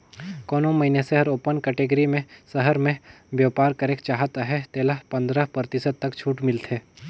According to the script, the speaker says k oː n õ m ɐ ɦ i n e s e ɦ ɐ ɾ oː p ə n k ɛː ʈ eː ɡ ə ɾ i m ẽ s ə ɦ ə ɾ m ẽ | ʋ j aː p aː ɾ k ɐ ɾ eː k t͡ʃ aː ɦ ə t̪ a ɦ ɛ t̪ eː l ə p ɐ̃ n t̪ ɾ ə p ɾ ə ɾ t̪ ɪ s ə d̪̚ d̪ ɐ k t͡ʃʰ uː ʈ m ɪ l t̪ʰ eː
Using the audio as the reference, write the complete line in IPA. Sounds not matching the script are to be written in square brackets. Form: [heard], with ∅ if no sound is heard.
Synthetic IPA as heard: k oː n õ m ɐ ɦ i n e s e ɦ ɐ ɾ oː p ə n k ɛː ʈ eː ɡ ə ɾ i m ẽ s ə ɦ ə ɾ m ẽ | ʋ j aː p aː ɾ k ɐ ɾ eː k t͡ʃ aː ɦ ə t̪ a ɦ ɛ t̪ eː l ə p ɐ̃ n [d̪] ɾ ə p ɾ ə ɾ t̪ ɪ s ə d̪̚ [t̪] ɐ k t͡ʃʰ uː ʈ m ɪ l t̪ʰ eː